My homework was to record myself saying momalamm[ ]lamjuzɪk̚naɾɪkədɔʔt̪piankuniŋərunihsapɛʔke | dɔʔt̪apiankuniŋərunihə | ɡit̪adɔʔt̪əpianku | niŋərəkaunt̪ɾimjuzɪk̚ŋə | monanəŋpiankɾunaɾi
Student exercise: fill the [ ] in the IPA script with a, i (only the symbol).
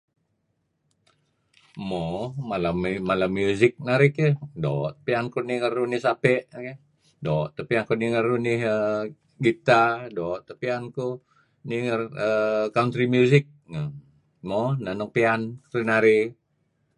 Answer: a